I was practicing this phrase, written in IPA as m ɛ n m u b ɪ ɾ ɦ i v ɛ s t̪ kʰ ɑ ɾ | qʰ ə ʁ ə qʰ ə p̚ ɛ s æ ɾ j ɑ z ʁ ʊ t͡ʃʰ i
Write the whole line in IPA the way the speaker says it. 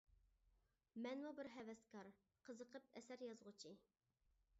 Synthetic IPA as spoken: m ɛ n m u b ɪ ɾ ɦ ɛ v ɛ s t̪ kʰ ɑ ɾ | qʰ ə z ə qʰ ə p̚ ɛ s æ ɾ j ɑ z ʁ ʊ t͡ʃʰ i

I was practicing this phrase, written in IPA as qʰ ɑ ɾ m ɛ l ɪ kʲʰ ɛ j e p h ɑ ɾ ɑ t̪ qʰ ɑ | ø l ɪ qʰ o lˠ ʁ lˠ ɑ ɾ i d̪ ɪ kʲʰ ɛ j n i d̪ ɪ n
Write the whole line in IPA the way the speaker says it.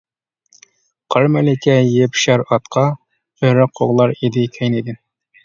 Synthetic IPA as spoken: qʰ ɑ ɾ m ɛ l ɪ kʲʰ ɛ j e p ʃ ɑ ɾ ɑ t̪ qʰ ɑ | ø ɾ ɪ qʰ o ʁ lˠ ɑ ɾ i d̪ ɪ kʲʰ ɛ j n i d̪ ɪ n

